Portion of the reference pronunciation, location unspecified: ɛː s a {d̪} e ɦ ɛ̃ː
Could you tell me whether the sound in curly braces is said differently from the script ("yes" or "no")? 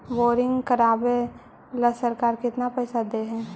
no